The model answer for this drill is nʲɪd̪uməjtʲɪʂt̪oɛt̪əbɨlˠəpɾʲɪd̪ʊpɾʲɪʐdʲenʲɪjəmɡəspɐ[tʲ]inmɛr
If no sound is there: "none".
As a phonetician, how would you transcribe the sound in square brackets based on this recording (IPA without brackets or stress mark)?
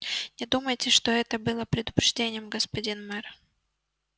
dʲ